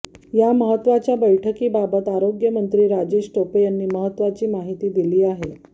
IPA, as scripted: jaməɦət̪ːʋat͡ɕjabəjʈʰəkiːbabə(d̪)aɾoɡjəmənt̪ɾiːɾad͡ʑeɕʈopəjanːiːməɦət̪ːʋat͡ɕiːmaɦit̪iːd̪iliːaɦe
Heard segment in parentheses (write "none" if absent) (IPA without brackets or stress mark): t̪